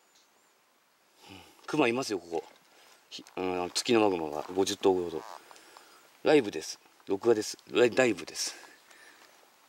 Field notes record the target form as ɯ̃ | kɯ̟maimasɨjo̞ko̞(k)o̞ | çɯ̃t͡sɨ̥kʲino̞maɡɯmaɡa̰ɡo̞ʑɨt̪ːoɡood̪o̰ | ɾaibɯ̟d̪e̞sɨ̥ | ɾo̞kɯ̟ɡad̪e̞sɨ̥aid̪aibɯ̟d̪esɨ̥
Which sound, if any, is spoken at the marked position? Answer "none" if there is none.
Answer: k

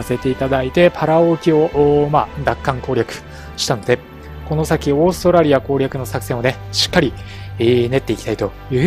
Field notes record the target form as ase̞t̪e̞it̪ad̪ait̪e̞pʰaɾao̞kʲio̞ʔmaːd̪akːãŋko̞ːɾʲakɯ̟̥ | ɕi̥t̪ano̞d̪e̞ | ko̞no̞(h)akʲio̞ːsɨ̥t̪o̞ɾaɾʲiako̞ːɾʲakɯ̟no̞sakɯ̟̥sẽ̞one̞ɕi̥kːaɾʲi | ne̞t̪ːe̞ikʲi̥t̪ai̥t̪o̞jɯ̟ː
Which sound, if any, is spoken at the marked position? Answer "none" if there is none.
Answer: s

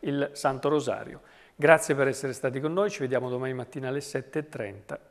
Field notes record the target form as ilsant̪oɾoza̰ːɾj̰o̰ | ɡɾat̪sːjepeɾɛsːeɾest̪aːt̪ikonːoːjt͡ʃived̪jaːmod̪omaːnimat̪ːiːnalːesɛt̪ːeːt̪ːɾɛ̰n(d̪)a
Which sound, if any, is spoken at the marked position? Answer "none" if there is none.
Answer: t̪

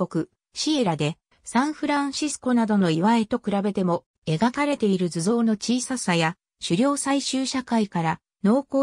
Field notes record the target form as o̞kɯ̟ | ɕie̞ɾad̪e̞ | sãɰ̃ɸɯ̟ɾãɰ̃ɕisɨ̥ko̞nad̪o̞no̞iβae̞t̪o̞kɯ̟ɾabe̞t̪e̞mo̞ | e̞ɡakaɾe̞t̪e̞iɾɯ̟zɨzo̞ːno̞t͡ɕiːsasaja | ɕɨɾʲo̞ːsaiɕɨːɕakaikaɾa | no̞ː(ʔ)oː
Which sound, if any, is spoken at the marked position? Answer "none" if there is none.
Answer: k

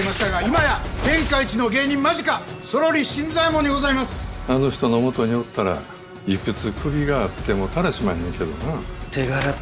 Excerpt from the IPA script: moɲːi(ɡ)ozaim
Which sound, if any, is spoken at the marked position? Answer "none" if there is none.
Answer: ɡ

